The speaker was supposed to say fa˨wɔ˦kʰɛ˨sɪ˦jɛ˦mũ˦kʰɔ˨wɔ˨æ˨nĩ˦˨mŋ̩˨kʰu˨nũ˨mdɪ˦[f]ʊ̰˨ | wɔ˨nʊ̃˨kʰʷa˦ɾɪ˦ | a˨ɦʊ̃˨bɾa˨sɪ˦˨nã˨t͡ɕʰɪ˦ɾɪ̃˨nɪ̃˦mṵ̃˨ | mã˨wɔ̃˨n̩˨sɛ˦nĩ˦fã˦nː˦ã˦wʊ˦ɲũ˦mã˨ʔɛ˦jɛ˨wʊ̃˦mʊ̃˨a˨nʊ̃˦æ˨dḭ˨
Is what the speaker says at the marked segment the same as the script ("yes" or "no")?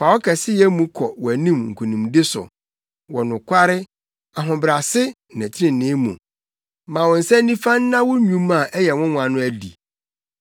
no